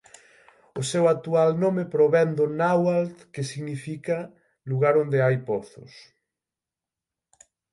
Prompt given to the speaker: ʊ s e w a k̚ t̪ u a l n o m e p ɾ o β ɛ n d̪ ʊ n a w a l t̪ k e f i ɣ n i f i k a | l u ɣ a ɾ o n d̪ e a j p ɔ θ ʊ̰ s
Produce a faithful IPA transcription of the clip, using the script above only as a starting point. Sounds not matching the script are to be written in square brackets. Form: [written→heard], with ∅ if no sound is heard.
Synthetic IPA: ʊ s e w a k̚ t̪ u a l n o m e p ɾ o β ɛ n d̪ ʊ n a w a l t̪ k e [f→s] i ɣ n i f i k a | l u ɣ a ɾ o n d̪ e a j p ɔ θ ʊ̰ s

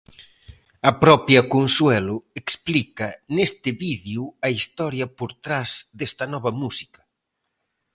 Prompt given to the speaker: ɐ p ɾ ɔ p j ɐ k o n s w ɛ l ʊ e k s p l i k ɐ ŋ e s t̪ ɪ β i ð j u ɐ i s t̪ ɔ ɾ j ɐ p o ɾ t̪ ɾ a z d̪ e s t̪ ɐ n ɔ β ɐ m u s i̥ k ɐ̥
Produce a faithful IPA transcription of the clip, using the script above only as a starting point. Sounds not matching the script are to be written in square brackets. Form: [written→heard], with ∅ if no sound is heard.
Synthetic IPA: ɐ p ɾ ɔ p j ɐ k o n s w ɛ l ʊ e k s p l i k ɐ [ŋ→n] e s t̪ ɪ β i ð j u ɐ i s t̪ ɔ ɾ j ɐ p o ɾ t̪ ɾ a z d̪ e s t̪ ɐ n ɔ β ɐ m u s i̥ k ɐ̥

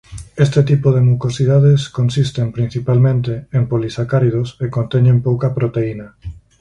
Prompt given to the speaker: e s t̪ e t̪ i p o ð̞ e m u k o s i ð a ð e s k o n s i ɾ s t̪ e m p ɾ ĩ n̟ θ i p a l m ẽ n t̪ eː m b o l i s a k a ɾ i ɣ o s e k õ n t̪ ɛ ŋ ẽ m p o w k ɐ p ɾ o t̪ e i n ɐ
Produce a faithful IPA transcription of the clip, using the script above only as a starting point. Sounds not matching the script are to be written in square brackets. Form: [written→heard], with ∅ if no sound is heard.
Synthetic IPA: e s t̪ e t̪ i p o ð̞ e m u k o s i ð a ð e s k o n s i [ɾ→∅] s t̪ e m p ɾ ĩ n̟ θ i p a l m ẽ n t̪ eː m [b→p] o l i s a k a ɾ i [ɣ→ð] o s e k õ n t̪ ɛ [ŋ→ɲ] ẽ m p o w k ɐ p ɾ o t̪ e i n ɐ

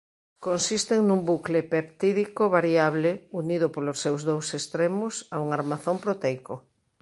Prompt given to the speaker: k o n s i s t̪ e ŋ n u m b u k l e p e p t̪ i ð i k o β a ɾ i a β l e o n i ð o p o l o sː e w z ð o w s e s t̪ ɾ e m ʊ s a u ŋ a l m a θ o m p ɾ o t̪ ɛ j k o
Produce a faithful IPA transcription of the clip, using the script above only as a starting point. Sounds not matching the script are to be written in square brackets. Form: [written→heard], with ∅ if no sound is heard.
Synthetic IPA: k o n s i s t̪ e ŋ n u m b u k l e p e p t̪ i ð i k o β a ɾ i a β l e [o→u] n i ð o p o l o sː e w z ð o w s e s t̪ ɾ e m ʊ s a u ŋ a [l→ɾ] m a θ o m p ɾ o t̪ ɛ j k o

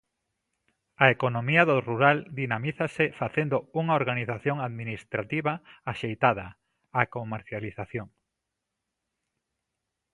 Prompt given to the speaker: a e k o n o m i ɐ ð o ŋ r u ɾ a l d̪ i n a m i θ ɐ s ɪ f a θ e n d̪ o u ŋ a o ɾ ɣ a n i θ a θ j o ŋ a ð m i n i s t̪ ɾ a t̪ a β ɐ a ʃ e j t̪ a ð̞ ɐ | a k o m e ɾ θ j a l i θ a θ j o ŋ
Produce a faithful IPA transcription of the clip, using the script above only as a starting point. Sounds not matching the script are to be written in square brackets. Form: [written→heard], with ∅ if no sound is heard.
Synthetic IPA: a e k o n o m i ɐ ð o [ŋ→∅] r u ɾ a l d̪ i n a m i θ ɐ s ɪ f a θ e n d̪ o u ŋ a o ɾ ɣ a n i θ a θ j o ŋ a ð m i n i s t̪ ɾ a t̪ [a→i] β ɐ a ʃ e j t̪ a ð̞ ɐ | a k o m e ɾ θ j a l i θ a θ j o ŋ

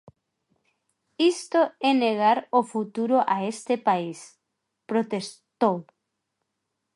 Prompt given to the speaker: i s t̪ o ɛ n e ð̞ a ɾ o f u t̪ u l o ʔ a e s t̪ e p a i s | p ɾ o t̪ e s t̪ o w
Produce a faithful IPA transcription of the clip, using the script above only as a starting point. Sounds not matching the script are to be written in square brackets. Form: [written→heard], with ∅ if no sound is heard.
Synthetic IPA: i s t̪ o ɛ n e [ð̞→ɣ̞] a ɾ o f u t̪ u [l→ɾ] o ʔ a e s t̪ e p a i s | p ɾ o t̪ e s t̪ o w

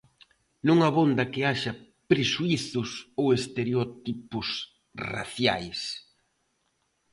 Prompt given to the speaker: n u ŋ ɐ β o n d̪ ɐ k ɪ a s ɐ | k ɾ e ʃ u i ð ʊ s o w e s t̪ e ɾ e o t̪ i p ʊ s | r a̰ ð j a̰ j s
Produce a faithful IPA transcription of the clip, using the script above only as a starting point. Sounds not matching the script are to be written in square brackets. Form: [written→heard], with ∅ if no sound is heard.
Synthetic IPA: n u ŋ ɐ β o n d̪ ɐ k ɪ a [s→ʃ] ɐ | [k→p] ɾ e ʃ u i [ð→θ] ʊ s o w e s t̪ e ɾ e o t̪ i p ʊ s | r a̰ [ð→θ] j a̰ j s

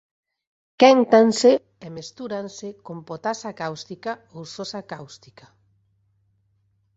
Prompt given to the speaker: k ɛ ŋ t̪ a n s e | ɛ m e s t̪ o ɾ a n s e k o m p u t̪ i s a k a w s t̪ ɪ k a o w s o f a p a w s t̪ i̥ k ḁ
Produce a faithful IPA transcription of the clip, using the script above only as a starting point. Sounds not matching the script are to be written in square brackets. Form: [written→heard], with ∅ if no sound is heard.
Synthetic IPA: k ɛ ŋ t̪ a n s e | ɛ m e s t̪ [o→u] ɾ a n s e k o m p [u→o] t̪ [i→a] s a k a w s t̪ [ɪ→i] k a o w s o [f→s] a [p→k] a w s t̪ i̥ k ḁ

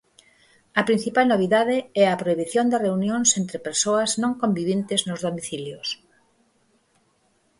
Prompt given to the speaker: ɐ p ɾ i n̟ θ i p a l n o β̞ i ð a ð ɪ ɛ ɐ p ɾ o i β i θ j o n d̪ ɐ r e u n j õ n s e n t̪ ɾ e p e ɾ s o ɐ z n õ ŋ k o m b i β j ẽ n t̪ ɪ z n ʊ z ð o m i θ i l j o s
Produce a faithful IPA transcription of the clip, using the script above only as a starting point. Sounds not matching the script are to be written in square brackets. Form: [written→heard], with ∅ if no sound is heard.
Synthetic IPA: ɐ p ɾ i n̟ θ i p a l n o β̞ i ð a ð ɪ ɛ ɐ p ɾ o i β i θ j o n d̪ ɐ r e u n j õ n s e n t̪ ɾ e p e ɾ s o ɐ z n õ ŋ k o m b i β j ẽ n t̪ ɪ z n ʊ z ð o m i θ i l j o s

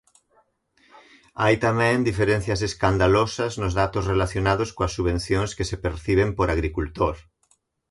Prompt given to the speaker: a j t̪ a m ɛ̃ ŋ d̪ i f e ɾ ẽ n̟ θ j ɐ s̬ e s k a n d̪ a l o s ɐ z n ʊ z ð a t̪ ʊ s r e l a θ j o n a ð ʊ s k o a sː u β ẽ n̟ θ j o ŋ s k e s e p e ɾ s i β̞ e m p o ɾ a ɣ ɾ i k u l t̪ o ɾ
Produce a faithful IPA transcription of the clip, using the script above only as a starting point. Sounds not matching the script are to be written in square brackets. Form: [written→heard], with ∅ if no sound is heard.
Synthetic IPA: a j t̪ a m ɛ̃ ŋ d̪ i f e ɾ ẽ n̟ θ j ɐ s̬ e s k a n d̪ a l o s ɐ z n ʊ z ð a t̪ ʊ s r e l a θ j o n a ð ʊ s k o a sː u β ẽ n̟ θ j o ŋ s k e s e p e ɾ [s→θ] i β̞ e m p o ɾ a ɣ ɾ i k u l t̪ o ɾ

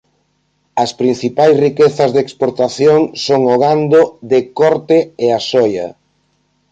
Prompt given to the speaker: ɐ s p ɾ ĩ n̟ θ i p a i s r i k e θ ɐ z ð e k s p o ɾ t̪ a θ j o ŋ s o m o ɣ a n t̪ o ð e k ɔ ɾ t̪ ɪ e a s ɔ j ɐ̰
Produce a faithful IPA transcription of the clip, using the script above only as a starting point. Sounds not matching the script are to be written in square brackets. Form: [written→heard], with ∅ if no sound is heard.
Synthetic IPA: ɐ s p ɾ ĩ n̟ θ i p a [i→j] s r i k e θ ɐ z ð e k s p o ɾ t̪ a θ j o ŋ s o [m→ŋ] o ɣ a n [t̪→d̪] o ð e k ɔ ɾ t̪ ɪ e a s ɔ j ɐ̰

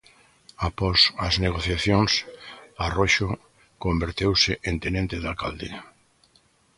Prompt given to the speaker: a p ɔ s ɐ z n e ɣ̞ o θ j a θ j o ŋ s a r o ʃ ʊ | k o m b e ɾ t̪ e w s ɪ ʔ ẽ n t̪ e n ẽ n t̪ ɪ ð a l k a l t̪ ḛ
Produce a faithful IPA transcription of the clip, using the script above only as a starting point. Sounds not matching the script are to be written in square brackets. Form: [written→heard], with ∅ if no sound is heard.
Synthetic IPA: a p ɔ s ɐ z n e ɣ̞ o θ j a θ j o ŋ s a r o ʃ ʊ | k o m b e ɾ t̪ e w s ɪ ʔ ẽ n t̪ e n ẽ n t̪ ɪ ð a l k a l [t̪→d̪] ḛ

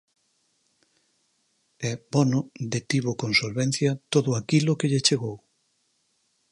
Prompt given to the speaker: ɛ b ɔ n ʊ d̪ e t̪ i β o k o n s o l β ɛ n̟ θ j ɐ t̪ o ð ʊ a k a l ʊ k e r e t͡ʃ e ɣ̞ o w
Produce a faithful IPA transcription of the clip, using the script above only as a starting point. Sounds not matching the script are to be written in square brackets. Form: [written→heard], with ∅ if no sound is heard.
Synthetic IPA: ɛ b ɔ n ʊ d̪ e t̪ i β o k o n s o l β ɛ n̟ θ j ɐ t̪ o ð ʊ a k [a→i] l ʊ k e [r→ʎ] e t͡ʃ e ɣ̞ o w

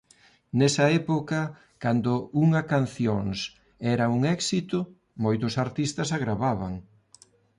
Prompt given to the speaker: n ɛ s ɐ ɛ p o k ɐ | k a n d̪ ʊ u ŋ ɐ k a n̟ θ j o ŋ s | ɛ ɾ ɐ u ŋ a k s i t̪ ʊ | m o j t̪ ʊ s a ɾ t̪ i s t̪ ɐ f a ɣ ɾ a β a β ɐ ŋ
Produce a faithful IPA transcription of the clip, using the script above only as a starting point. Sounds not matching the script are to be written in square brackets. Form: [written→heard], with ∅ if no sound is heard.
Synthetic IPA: n ɛ s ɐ ɛ p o k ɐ | k a n d̪ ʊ u ŋ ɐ k a n̟ θ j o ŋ s | ɛ ɾ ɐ u ŋ [a→ɛ] k s i t̪ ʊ | m o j t̪ ʊ s a ɾ t̪ i s t̪ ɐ [f→s] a ɣ ɾ a β a β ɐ ŋ

